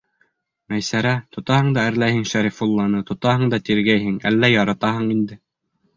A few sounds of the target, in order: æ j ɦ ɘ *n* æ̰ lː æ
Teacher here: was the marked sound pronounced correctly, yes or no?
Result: no